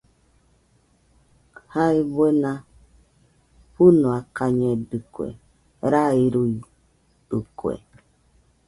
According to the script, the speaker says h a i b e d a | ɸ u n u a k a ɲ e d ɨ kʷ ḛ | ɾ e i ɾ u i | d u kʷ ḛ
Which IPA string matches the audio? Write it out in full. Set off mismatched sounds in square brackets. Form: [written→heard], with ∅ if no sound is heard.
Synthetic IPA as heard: h a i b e [d→n] a | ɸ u n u a k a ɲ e d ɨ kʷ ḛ | ɾ [e→a] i ɾ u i | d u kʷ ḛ

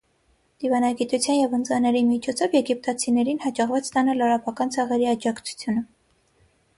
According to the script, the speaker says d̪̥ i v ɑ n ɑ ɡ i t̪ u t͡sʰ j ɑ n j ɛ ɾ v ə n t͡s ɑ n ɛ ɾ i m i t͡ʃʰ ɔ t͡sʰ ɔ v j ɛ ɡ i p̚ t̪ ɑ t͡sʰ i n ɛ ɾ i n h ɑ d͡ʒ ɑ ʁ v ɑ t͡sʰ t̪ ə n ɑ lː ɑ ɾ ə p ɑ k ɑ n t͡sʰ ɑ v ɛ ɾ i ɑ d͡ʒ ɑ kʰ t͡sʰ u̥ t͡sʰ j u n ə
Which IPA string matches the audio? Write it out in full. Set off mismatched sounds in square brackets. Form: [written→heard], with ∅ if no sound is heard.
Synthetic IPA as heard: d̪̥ i v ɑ n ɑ ɡ i t̪ u t͡sʰ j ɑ n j ɛ [ɾ→∅] v ə n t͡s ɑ n ɛ ɾ i m i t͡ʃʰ ɔ t͡sʰ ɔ v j ɛ ɡ i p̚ t̪ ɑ t͡sʰ i n ɛ ɾ i n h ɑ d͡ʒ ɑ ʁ v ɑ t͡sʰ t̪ [ə→ɑ] n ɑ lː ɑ ɾ [ə→ɑ] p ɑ k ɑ n t͡sʰ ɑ [v→ʁ] ɛ ɾ i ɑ d͡ʒ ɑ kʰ t͡sʰ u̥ t͡sʰ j u n ə

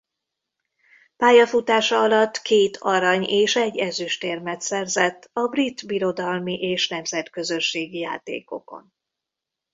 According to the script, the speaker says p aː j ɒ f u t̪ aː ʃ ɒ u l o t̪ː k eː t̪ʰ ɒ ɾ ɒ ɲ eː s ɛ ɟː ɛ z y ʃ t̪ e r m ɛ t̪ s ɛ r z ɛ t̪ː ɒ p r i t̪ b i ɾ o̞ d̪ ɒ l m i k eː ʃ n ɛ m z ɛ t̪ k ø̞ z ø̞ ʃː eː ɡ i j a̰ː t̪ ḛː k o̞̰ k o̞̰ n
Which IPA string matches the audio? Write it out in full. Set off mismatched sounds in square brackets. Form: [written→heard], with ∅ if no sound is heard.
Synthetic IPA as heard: p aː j ɒ f u t̪ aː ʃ ɒ [u→ɒ] l [o→ɒ] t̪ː k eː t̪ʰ ɒ ɾ ɒ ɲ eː [s→ʃ] ɛ ɟː ɛ z y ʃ t̪ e r m ɛ t̪ s ɛ r z ɛ t̪ː ɒ [p→b] r i t̪ b i ɾ o̞ d̪ ɒ l m i [k→ʔ] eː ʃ n ɛ m z ɛ t̪ k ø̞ z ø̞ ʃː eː ɡ i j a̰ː t̪ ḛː k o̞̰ k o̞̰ n

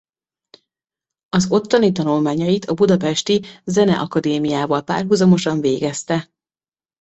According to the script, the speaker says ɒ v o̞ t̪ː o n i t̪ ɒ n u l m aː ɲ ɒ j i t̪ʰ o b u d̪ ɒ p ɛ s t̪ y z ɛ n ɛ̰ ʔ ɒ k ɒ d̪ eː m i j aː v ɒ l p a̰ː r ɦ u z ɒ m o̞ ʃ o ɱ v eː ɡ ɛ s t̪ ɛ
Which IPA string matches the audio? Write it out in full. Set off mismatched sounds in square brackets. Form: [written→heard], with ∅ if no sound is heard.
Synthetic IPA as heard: ɒ [v→z] o̞ t̪ː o n i t̪ ɒ n u l m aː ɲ ɒ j i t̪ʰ [o→ɒ] b u d̪ ɒ p ɛ [s→ʃ] t̪ [y→i] z ɛ n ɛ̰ ʔ ɒ k ɒ d̪ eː m i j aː v ɒ l p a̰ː r ɦ u z ɒ m o̞ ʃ [o→ɒ] ɱ v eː ɡ ɛ s t̪ ɛ

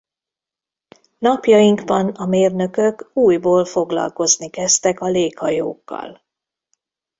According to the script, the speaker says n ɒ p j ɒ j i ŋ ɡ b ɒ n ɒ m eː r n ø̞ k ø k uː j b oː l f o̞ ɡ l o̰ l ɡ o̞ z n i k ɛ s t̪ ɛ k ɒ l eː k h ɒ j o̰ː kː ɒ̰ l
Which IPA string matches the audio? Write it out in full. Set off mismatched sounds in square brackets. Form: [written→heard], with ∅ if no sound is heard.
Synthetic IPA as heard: n ɒ p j ɒ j i ŋ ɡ b ɒ n ɒ m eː r n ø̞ k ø k uː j b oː l f o̞ ɡ l [o̰→ɒ̰] l [ɡ→k] o̞ z n i k ɛ s t̪ ɛ k ɒ l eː k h ɒ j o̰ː kː ɒ̰ l

